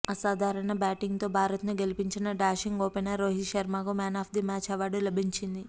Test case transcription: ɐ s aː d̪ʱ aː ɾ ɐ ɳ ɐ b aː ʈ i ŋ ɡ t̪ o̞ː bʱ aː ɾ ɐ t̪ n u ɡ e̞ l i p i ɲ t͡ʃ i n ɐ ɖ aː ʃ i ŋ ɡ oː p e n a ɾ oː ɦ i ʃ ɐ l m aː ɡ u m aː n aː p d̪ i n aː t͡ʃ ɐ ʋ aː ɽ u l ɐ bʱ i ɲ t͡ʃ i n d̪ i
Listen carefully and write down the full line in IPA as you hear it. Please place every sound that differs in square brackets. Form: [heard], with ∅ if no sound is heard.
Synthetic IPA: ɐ s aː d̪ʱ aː ɾ ɐ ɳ ɐ b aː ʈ i ŋ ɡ t̪ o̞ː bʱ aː ɾ ɐ t̪ n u ɡ e̞ l i p i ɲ t͡ʃ i n ɐ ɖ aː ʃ i ŋ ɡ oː p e n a ɾ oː ɦ i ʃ ɐ [ɾ] m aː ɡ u m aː n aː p d̪ i [m] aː t͡ʃ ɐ ʋ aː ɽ u l ɐ bʱ i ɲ t͡ʃ i n d̪ i